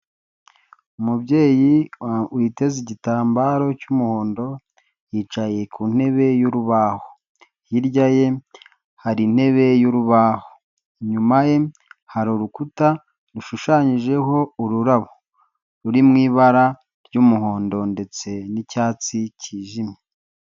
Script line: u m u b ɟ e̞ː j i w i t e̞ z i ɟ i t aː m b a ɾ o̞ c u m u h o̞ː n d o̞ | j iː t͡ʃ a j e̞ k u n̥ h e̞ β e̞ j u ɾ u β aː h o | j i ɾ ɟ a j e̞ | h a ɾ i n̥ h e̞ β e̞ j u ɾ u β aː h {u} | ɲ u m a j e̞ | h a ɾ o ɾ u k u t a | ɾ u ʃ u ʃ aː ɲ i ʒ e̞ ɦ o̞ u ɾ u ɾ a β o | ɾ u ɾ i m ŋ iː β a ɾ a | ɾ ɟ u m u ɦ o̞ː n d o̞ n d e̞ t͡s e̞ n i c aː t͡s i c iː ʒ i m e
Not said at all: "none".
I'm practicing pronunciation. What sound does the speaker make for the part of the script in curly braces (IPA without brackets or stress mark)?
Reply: o